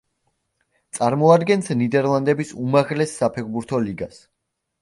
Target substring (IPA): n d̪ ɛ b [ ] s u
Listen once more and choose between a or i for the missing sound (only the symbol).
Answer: i